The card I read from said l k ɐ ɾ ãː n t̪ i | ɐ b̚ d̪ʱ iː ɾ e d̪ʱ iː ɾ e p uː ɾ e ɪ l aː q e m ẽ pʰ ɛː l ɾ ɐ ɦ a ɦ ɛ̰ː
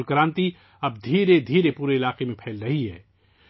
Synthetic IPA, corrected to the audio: l k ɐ ɾ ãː n t̪ i | ɐ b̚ d̪ʱ iː ɾ e d̪ʱ iː ɾ e p uː ɾ e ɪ l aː q e m ẽ pʰ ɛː l ɾ ɐ ɦ i ɦ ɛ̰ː